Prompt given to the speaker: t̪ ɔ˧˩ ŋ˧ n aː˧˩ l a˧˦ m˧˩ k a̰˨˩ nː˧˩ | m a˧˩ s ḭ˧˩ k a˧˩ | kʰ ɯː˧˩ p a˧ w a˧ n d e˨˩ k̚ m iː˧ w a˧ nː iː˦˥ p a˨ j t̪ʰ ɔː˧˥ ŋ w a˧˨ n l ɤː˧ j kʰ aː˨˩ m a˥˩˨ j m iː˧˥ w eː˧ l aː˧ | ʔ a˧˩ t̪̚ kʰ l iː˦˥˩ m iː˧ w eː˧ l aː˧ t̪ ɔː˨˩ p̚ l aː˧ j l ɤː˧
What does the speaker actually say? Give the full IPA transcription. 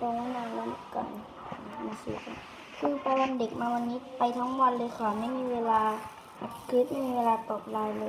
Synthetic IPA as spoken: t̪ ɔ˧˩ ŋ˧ n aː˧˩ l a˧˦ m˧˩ k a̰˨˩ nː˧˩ | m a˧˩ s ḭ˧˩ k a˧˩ | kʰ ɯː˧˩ p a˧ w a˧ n d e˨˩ k̚ m aː˧ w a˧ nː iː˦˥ p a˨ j t̪ʰ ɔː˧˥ ŋ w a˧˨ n l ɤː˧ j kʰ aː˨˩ m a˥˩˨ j m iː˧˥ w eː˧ l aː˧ | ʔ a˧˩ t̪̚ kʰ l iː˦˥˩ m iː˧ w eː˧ l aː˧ t̪ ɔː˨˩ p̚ l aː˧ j l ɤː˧

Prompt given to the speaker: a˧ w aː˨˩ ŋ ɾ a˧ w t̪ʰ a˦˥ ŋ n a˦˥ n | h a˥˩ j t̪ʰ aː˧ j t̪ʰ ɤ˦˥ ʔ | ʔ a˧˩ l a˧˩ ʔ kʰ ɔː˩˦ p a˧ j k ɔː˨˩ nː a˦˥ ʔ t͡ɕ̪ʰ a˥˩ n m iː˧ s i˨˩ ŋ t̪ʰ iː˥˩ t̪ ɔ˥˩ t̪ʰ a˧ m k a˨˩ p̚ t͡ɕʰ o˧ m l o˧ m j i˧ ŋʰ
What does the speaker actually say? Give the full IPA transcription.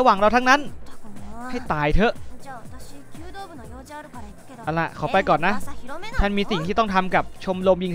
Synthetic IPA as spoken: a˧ w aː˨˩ ŋ ɾ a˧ w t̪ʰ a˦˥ ŋ n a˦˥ n | h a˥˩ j t̪ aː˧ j t̪ʰ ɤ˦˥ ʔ | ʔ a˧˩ l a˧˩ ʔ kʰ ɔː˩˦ p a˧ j k ɔː˨˩ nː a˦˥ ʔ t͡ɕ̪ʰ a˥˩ n m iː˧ s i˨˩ ŋ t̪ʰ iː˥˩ t̪ ɔ˥˩ t̪ʰ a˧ m k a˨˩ p̚ t͡ɕʰ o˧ m l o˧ m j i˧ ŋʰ

